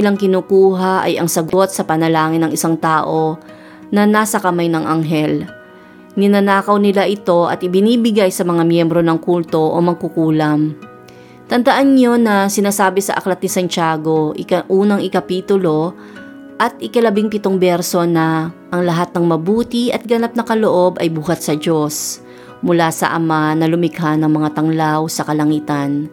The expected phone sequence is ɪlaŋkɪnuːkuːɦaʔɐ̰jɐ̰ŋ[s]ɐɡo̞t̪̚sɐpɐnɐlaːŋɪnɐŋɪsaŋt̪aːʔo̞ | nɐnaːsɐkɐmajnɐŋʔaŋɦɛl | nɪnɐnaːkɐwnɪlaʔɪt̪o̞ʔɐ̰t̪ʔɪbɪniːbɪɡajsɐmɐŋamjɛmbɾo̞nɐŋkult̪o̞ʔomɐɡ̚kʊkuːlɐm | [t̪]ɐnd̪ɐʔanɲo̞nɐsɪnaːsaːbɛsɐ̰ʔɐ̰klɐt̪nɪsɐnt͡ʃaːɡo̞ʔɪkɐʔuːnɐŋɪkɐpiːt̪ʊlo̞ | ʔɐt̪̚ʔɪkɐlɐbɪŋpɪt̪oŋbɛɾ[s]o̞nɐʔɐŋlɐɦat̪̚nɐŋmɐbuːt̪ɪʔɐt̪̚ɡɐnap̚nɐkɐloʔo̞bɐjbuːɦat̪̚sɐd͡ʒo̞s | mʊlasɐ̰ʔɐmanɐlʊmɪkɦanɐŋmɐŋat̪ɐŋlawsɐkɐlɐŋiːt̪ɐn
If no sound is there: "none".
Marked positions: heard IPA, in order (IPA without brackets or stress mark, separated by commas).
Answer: s, t̪, s